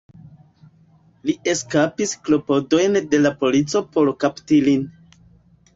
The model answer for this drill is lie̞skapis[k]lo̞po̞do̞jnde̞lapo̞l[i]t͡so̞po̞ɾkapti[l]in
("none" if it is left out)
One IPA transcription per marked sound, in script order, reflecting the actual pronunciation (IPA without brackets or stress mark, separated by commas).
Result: k, i, l